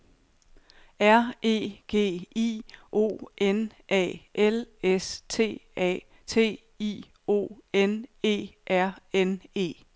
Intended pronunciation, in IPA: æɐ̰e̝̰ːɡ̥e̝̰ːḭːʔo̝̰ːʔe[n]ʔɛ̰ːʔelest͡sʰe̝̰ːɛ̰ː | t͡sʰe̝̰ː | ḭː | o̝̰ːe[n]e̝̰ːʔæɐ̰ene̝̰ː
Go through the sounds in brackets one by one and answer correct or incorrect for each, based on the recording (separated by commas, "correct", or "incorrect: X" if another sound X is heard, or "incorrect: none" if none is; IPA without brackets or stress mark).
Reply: correct, correct